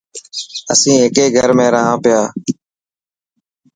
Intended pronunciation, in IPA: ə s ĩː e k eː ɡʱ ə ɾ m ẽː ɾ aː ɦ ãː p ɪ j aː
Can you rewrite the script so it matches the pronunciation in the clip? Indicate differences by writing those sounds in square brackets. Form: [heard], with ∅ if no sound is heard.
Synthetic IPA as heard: ə s ĩː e k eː ɡʱ ə ɾ m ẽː ɾ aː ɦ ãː p ɪ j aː